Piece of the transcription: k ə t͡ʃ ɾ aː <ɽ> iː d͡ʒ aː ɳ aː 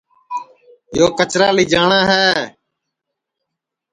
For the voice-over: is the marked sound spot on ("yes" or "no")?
no